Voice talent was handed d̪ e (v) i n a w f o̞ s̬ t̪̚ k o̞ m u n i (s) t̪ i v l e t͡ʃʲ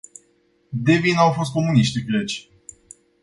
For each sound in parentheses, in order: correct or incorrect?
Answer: correct, incorrect: ʃ

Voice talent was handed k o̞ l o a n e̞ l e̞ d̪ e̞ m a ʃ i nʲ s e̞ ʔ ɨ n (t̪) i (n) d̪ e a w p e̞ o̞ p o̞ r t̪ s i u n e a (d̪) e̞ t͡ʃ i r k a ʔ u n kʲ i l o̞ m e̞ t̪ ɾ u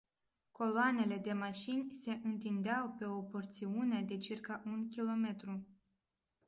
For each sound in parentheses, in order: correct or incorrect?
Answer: correct, correct, correct

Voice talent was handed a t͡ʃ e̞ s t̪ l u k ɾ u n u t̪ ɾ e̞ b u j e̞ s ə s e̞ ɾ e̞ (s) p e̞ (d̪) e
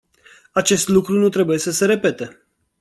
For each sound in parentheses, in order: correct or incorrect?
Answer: incorrect: none, incorrect: t̪

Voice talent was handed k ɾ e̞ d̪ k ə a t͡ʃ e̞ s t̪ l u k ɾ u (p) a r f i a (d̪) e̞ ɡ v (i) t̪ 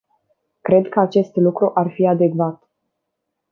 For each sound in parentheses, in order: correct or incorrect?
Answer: incorrect: ʔ, correct, incorrect: a

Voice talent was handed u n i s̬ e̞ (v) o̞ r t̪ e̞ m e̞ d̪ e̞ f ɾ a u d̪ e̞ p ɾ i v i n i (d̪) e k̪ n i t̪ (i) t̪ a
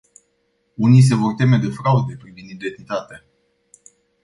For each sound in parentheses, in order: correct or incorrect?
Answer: correct, correct, incorrect: a

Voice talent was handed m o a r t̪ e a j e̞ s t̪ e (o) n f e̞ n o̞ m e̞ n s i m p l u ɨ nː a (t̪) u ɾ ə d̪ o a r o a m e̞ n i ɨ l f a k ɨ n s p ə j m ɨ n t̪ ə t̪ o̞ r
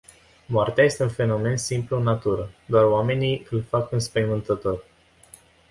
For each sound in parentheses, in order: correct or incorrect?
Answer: incorrect: u, correct

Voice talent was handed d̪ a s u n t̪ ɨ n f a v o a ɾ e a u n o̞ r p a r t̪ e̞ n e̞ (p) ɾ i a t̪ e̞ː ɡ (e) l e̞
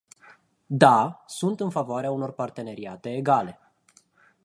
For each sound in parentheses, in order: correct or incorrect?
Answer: incorrect: none, incorrect: a

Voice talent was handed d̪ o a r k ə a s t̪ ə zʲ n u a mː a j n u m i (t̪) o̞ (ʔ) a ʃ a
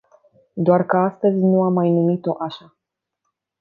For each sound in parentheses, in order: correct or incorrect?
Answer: correct, correct

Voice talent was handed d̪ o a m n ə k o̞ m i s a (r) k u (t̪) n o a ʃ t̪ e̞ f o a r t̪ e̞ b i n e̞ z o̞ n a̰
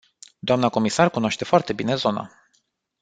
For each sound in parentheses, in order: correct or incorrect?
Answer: correct, incorrect: none

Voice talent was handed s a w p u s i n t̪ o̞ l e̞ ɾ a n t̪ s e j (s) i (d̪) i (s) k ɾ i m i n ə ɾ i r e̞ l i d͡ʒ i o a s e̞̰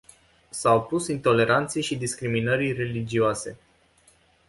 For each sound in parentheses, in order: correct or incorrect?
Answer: incorrect: ʃ, correct, correct

